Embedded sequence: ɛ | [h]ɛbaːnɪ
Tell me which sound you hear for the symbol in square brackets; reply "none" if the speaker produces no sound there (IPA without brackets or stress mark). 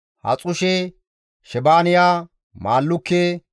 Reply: ʃ